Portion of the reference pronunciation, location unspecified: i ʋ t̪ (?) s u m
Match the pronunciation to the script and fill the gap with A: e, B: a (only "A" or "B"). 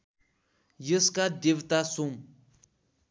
B